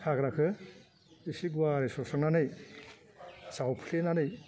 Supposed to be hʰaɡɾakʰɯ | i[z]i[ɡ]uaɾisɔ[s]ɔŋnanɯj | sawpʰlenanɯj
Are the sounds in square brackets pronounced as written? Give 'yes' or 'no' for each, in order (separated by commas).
no, yes, yes